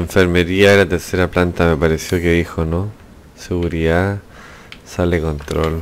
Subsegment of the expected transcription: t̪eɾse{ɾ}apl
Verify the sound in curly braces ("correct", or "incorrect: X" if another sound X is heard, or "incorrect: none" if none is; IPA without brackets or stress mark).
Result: correct